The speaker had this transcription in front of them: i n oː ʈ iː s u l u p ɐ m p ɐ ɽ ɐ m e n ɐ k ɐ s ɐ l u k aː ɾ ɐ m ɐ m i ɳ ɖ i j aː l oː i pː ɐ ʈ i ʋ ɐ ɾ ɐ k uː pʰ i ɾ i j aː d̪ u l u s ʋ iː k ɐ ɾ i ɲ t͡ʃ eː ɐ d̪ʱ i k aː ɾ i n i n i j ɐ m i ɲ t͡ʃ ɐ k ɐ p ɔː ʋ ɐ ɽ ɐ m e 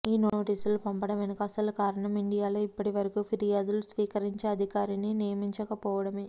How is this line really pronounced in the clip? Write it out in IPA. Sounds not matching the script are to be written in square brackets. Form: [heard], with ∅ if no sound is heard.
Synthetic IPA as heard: [iː] n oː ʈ iː s u l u p ɐ m p ɐ ɽ ɐ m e n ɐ k ɐ s ɐ l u k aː ɾ ɐ [ɳ] ɐ m i ɳ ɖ i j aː l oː i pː ɐ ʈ i ʋ ɐ ɾ ɐ k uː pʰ i ɾ i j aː d̪ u l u s ʋ iː k ɐ ɾ i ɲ t͡ʃ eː ɐ d̪ʱ i k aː ɾ i n i n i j ɐ m i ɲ t͡ʃ ɐ k ɐ p ɔː ʋ ɐ ɽ ɐ m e

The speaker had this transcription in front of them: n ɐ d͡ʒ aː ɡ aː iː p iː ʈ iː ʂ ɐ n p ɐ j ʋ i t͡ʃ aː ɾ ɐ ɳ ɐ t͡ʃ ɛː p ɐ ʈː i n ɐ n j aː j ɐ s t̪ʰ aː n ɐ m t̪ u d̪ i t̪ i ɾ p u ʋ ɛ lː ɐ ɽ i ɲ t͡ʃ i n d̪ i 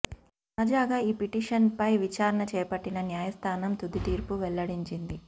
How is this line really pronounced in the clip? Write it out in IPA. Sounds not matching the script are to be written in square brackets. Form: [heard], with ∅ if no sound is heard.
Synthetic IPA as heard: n ɐ d͡ʒ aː ɡ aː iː p [i] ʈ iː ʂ ɐ n p ɐ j ʋ i t͡ʃ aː ɾ ɐ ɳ ɐ t͡ʃ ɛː p ɐ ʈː i n ɐ n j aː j ɐ s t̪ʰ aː n ɐ m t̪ u d̪ i t̪ [iː] ɾ p u ʋ ɛ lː ɐ ɽ i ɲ t͡ʃ i n d̪ i

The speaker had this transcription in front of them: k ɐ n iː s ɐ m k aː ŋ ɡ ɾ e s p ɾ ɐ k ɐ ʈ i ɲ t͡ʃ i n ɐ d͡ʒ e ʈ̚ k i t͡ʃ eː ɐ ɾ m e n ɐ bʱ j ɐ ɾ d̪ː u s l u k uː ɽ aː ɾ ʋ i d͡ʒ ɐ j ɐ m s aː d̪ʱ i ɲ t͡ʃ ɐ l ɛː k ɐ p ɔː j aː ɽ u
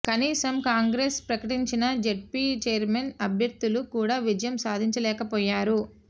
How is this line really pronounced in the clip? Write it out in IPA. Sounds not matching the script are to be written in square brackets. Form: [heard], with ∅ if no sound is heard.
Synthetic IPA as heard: k ɐ n iː s ɐ m k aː ŋ ɡ ɾ e s p ɾ ɐ k ɐ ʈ i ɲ t͡ʃ i n ɐ d͡ʒ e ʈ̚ [p] i t͡ʃ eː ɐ ɾ m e n ɐ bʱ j ɐ ɾ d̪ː u [∅] l u k uː ɽ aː [∅] ʋ i d͡ʒ ɐ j ɐ m s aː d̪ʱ i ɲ t͡ʃ ɐ l ɛː k ɐ p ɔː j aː [ɾ] u

